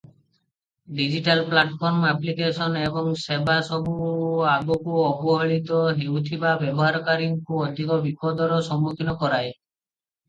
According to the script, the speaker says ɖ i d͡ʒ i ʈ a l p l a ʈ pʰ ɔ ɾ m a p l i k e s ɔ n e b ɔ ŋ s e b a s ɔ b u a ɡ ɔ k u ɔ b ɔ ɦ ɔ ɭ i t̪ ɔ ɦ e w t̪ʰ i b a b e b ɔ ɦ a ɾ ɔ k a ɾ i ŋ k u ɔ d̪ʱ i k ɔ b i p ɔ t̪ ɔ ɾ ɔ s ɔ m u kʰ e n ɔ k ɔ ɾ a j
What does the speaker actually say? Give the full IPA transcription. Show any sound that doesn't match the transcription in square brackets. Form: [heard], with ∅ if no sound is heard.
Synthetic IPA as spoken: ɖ i d͡ʒ i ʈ a l p l a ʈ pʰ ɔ ɾ m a p l i k e s ɔ n e b ɔ ŋ s e b a s ɔ b u a ɡ ɔ k u ɔ b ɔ ɦ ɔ ɭ i t̪ ɔ ɦ e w t̪ʰ i b a b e b ɔ ɦ a ɾ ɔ k a ɾ i ŋ k u ɔ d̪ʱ i k ɔ b i p ɔ [d̪] ɔ ɾ ɔ s ɔ m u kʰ [i] n ɔ k ɔ ɾ a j